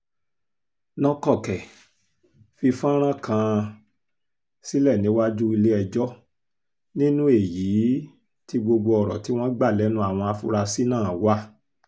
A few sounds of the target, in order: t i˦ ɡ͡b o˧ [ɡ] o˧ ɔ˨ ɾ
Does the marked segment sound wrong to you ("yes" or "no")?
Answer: yes